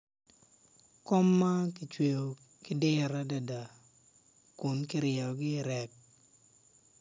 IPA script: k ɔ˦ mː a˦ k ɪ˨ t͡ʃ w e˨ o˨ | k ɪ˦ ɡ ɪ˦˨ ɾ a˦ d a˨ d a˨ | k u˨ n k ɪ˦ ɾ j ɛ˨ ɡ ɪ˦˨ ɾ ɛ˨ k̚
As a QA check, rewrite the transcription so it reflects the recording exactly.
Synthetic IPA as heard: k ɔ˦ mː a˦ k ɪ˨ t͡ʃ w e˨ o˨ | k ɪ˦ d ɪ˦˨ ɾ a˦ d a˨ d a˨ | k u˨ n k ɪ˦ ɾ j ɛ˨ ɡ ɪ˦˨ ɾ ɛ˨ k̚